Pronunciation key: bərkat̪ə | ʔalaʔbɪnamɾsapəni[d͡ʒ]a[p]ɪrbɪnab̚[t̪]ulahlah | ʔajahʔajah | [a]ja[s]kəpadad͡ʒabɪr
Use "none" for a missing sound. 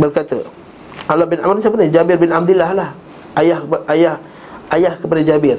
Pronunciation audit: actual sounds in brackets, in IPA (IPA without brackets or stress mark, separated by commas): d͡ʒ, b, d̪, a, h